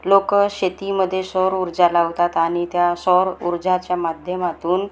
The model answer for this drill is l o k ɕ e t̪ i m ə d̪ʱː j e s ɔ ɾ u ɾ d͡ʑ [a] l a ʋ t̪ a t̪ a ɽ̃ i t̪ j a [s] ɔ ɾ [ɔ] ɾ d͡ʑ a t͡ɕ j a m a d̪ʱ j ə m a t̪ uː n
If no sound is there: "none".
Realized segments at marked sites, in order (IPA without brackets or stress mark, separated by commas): a, s, u